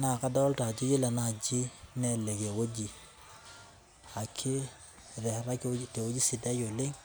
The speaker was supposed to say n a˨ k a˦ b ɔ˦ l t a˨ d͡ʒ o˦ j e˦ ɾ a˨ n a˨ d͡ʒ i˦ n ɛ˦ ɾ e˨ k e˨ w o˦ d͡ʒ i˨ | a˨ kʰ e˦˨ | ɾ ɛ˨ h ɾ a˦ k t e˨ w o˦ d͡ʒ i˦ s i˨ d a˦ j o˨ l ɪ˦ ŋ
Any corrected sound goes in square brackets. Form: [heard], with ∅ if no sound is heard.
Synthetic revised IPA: n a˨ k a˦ [d] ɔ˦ l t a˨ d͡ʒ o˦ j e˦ [l] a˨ n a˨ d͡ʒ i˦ n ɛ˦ [l] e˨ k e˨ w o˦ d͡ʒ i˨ | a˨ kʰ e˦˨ | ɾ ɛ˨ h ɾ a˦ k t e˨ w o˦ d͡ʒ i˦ s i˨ d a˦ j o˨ l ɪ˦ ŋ